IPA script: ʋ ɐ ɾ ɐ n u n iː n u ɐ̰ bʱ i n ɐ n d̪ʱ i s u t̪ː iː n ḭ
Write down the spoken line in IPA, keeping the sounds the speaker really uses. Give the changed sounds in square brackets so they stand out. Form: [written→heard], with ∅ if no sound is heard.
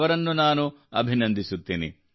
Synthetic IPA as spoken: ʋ ɐ ɾ ɐ [n→nː] u n [iː→aː] n u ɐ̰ bʱ i n ɐ n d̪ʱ i s u t̪ː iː n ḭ